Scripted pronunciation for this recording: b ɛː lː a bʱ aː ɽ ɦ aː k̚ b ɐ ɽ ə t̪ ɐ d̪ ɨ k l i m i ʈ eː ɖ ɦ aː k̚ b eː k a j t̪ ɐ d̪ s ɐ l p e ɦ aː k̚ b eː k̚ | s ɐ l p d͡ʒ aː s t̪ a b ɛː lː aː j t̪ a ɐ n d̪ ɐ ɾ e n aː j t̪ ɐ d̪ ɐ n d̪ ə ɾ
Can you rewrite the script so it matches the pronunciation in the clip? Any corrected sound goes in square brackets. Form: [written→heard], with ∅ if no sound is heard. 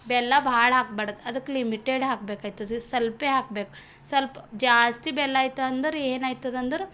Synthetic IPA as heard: b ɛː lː a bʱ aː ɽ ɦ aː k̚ b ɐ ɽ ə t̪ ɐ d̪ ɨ k l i m i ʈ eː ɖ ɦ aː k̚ b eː k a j t̪ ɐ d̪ s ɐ l p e ɦ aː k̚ b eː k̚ | s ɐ l p d͡ʒ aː s t̪ [a→i] b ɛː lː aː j t̪ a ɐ n d̪ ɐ ɾ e n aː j t̪ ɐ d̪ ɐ n d̪ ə ɾ